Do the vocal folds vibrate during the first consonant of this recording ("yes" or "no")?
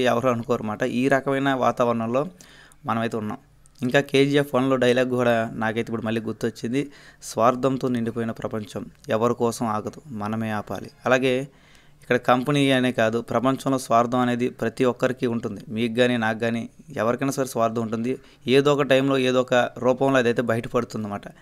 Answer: yes